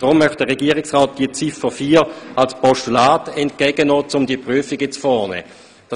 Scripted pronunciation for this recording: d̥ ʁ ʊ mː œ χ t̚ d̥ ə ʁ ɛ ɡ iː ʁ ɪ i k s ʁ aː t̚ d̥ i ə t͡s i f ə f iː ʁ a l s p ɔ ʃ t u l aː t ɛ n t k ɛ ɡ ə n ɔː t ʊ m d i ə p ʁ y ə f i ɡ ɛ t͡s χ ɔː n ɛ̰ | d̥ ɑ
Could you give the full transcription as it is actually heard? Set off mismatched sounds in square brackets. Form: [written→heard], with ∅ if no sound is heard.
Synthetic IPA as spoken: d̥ ʁ ʊ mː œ χ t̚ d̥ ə ʁ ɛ ɡ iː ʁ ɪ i k s ʁ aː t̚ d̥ i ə t͡s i f ə f iː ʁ a l s p ɔ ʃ t u l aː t ɛ n t k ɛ ɡ ə n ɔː [t→t͡s] ʊ m d i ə p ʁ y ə f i ɡ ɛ t͡s [χ→f] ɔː n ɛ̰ | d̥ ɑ